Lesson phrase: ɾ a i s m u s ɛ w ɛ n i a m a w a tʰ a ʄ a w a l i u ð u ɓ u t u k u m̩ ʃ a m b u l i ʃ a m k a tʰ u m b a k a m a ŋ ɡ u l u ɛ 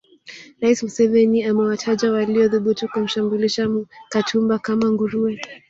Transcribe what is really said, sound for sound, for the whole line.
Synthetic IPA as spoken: ɾ a i s m u s ɛ v ɛ n i a m ɛ w a tʰ a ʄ a w a l i ɔ ð u ɓ u t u k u m̩ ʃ a m b u l i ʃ a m k a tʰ u m b a k a m a ŋ ɡ u ɾ u ɛ

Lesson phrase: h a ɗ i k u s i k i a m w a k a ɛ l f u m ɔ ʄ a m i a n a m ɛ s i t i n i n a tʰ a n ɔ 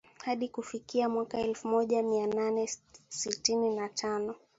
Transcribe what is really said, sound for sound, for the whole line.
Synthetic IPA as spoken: h a ɗ i k u f i k i a m w a k a ɛ l f u m ɔ ʄ a m i a n a n ɛ s i t i n i n a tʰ a n ɔ

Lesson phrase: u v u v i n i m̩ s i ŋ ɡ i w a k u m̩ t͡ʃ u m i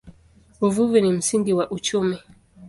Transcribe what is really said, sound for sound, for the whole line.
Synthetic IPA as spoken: u v u v i n i m̩ s i ŋ ɡ i w a ʔ u t͡ʃ u m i

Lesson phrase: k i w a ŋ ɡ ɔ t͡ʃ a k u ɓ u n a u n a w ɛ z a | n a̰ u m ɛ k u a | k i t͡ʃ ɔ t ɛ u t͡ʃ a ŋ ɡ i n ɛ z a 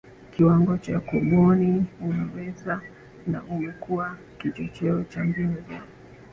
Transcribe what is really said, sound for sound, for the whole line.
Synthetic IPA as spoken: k i w a ŋ ɡ ɔ t͡ʃ a k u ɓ ɔ n i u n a w ɛ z a | n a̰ u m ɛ k u a | k i t͡ʃ ɔ t͡ʃ ɛ ɔ t͡ʃ a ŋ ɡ i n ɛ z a

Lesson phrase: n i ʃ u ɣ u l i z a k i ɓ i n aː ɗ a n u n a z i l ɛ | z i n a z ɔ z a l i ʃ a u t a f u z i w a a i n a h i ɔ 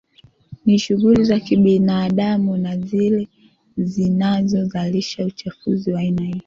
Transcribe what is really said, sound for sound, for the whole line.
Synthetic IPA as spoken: n i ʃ u ɣ u l i z a k i ɓ i n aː ɗ a m u n a z i l ɛ | z i n a z ɔ z a l i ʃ a u t͡ʃ a f u z i w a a i n a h i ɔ

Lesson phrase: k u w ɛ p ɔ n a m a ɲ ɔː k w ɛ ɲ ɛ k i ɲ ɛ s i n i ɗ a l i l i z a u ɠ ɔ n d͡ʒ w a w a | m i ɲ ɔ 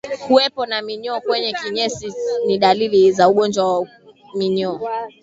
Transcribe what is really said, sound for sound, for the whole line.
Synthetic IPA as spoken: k u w ɛ p ɔ n a m i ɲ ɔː k w ɛ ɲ ɛ k i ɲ ɛ s i n i ɗ a l i l i z a u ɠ ɔ n d͡ʒ w a w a | m i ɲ ɔ

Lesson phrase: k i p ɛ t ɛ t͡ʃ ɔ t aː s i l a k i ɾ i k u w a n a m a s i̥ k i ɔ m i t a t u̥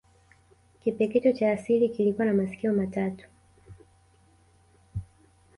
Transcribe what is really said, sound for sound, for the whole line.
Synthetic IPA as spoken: k i p ɛ k ɛ t͡ʃ ɔ t͡ʃ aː s i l i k i l i k u w a n a m a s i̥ k i ɔ m a t a t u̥

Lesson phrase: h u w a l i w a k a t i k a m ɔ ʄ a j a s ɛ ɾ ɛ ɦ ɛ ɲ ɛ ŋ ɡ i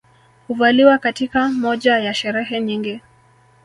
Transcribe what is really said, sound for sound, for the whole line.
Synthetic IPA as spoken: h u v a l i w a k a t i k a m ɔ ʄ a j a ʃ ɛ ɾ ɛ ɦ ɛ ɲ i ŋ ɡ i

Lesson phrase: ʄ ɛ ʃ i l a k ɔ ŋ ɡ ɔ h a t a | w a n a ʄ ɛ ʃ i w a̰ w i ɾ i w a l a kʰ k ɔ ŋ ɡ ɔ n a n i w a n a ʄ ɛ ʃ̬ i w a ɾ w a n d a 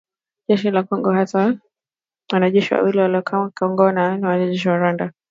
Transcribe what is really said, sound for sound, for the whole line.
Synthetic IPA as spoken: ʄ ɛ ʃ i l a k ɔ ŋ ɡ ɔ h a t a | w a n a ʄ ɛ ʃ i w a̰ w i l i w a l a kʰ k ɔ ŋ ɡ ɔ n a n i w a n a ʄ ɛ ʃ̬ i w a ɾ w a n d a

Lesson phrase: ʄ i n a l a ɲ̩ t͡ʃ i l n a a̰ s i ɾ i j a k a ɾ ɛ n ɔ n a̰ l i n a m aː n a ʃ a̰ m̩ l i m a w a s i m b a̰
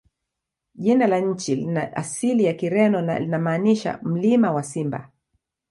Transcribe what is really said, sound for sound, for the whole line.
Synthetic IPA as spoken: ʄ i n a l a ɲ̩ t͡ʃ i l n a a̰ s i l i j a k i ɾ ɛ n ɔ n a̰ l i n a m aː n i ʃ a̰ m̩ l i m a w a s i m b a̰

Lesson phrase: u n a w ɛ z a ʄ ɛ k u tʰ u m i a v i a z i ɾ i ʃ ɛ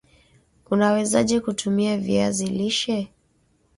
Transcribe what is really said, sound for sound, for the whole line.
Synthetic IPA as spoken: u n a w ɛ z a ʄ ɛ k u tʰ u m i a v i a z i l i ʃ ɛ

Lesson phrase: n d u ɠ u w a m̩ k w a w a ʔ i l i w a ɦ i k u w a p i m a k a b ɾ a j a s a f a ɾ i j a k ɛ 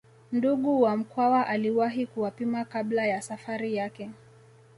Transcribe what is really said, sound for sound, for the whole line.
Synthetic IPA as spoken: n d u ɠ u w a m̩ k w a w a ʔ a l i w a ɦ i k u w a p i m a k a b l a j a s a f a ɾ i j a k ɛ

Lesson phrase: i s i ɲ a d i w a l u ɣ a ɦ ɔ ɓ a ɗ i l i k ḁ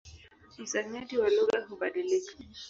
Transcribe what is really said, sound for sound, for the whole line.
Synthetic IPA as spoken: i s a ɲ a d i w a l u ɣ a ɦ u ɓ a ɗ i l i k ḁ

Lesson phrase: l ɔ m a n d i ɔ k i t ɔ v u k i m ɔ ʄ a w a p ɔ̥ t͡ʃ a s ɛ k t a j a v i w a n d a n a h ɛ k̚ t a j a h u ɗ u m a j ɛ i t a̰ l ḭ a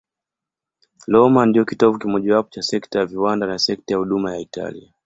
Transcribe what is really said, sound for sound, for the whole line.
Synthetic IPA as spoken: l ɔ m a n d i ɔ k i t ɔ v u k i m ɔ ʄ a w a p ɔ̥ t͡ʃ a s ɛ k t a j a v i w a n d a n a s ɛ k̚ t a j a h u ɗ u m a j a i t a̰ l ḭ a

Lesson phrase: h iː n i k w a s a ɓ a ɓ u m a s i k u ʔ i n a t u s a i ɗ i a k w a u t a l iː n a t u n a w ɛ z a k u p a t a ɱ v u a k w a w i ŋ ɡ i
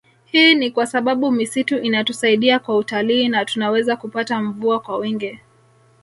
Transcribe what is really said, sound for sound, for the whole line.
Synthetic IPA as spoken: h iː n i k w a s a ɓ a ɓ u m i s i t u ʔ i n a t u s a i ɗ i a k w a u t a l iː n a t u n a w ɛ z a k u p a t a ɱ v u a k w a w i ŋ ɡ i

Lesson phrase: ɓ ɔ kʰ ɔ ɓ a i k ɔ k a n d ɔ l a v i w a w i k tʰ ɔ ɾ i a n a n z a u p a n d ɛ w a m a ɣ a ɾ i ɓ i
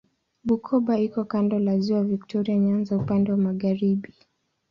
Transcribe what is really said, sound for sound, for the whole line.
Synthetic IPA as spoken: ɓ u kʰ ɔ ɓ a i k ɔ k a n d ɔ l a z i w a v i k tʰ ɔ ɾ i a ɲ a n z a u p a n d ɛ w a m a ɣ a ɾ i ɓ i

